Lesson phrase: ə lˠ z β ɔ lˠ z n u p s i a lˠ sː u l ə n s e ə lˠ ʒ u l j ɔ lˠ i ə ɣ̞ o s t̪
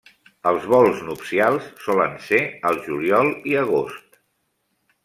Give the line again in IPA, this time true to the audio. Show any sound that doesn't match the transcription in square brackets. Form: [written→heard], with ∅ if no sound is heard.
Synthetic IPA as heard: ə lˠ z β ɔ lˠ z n u p s i a lˠ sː [u→ɔ] l ə n s e ə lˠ ʒ u l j ɔ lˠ i ə ɣ̞ o s t̪